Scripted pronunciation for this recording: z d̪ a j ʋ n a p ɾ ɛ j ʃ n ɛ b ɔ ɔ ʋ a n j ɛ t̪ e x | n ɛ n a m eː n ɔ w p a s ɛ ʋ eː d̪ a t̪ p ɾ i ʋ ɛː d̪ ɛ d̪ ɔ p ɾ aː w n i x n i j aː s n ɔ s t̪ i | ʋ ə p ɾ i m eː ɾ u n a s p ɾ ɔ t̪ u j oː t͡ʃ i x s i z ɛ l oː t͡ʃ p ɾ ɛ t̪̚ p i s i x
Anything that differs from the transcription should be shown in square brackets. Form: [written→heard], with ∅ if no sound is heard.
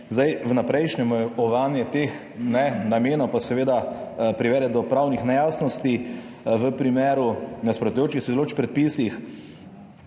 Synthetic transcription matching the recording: z d̪ a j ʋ n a p ɾ ɛ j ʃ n ɛ [b→m] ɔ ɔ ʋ a n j ɛ t̪ e x | n ɛ n a m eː n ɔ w p a s ɛ ʋ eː d̪ a [t̪→∅] p ɾ i ʋ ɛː d̪ ɛ d̪ ɔ p ɾ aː w n i x n [i→ɛ] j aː s n ɔ s t̪ i | ʋ ə p ɾ i m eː ɾ u n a s p ɾ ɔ t̪ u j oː t͡ʃ i x s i z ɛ l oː t͡ʃ p ɾ ɛ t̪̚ p i s i x